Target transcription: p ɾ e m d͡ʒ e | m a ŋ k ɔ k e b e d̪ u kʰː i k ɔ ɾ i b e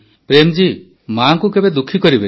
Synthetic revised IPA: p ɾ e m d͡ʒ i | m a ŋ k u k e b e d̪ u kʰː i k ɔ ɾ i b e